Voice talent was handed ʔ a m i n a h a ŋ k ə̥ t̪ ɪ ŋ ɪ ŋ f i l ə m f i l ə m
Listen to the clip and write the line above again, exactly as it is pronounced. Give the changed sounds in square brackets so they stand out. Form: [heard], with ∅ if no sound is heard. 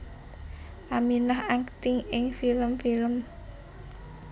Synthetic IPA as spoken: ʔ a m i n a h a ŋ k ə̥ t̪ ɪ ŋ ɪ ŋ f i l ə m f i l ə m

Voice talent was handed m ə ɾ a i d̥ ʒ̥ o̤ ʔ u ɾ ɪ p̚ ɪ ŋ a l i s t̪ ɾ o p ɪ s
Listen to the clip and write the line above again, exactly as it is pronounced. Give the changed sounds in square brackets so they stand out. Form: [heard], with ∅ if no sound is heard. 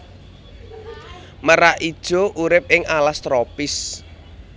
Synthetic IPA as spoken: m ə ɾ a i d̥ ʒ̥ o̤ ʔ u ɾ ɪ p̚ ɪ ŋ a l [a] s t̪ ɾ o p ɪ s

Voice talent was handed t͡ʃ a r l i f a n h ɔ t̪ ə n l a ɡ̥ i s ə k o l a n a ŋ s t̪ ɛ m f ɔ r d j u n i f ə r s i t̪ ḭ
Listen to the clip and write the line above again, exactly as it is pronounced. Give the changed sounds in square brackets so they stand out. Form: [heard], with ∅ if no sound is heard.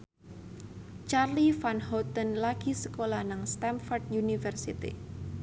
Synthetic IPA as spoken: t͡ʃ a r l i f a n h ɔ t̪ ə n l a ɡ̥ i s ə k o l a n a ŋ s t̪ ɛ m f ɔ r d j u n i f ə r s i t̪ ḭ

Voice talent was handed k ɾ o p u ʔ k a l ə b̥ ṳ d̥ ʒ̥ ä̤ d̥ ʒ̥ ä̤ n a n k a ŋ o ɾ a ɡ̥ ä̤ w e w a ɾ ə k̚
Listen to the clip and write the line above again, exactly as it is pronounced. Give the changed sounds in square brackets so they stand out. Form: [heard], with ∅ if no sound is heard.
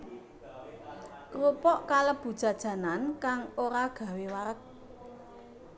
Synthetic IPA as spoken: k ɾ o p [ɔ] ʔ k a l ə b̥ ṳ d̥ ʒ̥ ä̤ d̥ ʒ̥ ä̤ n a n k a ŋ o ɾ a ɡ̥ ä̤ w e w a ɾ ə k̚

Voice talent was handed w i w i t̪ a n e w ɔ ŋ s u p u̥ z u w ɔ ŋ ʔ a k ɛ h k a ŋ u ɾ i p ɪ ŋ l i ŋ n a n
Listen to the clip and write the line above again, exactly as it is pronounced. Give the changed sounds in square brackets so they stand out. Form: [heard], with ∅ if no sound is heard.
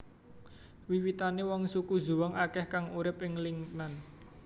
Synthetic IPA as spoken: w i w i t̪ a n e w ɔ ŋ s u [k] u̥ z u w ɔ ŋ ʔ a k ɛ h k a ŋ u ɾ [ɪ] p ɪ ŋ l i ŋ n a n

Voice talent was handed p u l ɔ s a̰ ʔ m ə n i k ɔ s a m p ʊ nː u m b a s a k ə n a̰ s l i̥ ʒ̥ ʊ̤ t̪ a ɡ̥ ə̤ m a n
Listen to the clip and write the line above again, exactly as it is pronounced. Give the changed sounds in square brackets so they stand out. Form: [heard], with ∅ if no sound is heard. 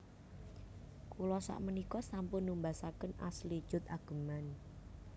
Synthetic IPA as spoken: [k] u l ɔ s a̰ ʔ m ə n i k ɔ s a m p ʊ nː u m b a s a k ə n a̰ s l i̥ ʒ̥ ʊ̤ t̪ a ɡ̥ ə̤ m a n

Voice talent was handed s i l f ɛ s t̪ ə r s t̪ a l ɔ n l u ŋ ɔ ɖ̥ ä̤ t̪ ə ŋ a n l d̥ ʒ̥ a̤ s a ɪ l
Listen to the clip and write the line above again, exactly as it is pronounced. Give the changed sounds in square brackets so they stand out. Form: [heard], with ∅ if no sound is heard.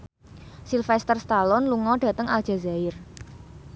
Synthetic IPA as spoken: s i l f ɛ s t̪ ə r s t̪ a l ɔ n l u ŋ ɔ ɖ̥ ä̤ t̪ ə ŋ a [∅] l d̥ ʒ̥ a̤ [z] a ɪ [r]

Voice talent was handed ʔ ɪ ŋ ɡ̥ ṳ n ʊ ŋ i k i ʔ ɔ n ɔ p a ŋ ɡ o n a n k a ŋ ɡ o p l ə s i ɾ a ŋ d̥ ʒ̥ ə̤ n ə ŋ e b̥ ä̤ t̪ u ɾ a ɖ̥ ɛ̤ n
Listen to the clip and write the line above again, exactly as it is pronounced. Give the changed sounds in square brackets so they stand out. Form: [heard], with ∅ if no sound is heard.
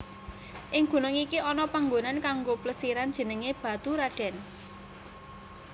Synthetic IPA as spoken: ʔ ɪ ŋ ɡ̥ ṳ n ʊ ŋ i k i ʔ ɔ n ɔ p a ŋ ɡ o n a n k a ŋ ɡ o p l ə s i ɾ a [n] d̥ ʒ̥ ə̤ n ə ŋ e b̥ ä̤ t̪ u ɾ a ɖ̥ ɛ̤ n

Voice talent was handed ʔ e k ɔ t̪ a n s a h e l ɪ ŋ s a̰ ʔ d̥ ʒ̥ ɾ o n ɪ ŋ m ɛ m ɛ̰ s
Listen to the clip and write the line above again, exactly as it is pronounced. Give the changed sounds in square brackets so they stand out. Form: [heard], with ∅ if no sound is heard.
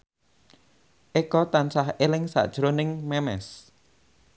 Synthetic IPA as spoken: ʔ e k ɔ t̪ a n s a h e l ɪ ŋ s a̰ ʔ d̥ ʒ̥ ɾ o n ɪ ŋ m ɛ m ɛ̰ s

